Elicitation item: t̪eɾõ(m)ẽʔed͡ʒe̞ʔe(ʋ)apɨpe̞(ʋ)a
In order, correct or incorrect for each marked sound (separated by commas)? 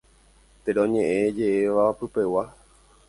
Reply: incorrect, correct, incorrect